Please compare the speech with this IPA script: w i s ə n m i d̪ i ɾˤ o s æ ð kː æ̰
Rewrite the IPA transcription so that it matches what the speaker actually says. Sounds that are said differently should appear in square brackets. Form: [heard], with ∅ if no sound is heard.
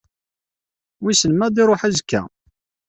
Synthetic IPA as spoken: w i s ə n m [æ] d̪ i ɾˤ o [ħ] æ [z] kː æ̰